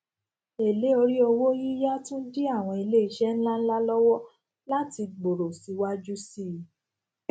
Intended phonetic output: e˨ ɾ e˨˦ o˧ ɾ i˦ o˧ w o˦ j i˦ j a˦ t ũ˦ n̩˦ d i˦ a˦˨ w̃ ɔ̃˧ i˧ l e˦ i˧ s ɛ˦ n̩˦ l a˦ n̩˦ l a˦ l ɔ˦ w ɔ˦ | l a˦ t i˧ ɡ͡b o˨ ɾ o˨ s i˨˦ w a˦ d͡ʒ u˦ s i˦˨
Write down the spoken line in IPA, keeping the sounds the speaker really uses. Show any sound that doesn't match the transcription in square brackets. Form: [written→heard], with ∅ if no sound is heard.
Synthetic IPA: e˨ [ɾ→l] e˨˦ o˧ ɾ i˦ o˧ w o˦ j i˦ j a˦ t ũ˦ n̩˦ d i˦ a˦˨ w̃ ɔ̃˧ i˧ l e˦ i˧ [s→ʃ] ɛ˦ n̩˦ l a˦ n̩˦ l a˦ l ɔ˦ w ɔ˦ | l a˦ t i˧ ɡ͡b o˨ ɾ o˨ s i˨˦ w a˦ d͡ʒ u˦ s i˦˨